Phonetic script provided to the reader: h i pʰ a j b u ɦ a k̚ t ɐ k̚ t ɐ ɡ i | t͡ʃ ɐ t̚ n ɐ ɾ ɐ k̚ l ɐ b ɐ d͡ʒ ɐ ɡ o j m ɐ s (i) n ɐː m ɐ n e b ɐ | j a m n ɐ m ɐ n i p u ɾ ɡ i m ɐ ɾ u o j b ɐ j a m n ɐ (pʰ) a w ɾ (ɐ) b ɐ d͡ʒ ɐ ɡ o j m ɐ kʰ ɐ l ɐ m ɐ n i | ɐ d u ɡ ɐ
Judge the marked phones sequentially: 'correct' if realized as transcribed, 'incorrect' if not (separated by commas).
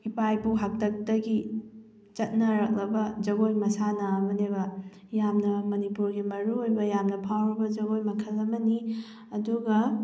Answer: incorrect, correct, correct